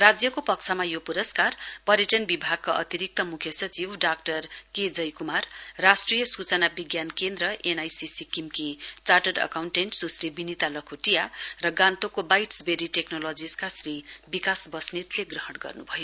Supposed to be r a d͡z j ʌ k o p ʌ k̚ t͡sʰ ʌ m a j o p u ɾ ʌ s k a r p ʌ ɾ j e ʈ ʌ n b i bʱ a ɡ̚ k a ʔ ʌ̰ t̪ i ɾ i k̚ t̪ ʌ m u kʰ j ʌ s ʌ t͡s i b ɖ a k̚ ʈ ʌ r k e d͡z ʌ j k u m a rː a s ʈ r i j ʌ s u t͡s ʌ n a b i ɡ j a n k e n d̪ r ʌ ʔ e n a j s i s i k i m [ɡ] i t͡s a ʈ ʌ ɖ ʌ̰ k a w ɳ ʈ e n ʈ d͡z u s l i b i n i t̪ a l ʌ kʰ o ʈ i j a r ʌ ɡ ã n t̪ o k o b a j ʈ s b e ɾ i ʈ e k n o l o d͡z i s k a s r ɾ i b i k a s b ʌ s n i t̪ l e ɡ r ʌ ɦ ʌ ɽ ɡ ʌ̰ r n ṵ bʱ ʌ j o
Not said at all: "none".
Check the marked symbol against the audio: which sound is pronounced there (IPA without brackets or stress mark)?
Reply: k